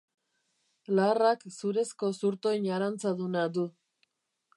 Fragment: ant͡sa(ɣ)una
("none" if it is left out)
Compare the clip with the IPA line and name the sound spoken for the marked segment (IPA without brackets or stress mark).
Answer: ð